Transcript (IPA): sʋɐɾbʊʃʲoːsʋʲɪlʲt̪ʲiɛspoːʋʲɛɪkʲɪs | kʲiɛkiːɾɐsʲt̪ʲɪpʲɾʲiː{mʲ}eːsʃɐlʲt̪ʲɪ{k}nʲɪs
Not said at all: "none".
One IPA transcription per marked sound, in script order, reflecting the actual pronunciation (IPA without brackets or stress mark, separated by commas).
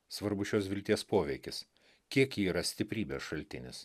bʲ, none